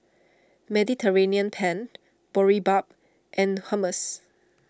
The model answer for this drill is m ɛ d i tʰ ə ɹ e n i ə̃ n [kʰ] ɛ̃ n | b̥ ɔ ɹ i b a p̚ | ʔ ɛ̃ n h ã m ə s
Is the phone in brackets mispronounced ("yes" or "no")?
yes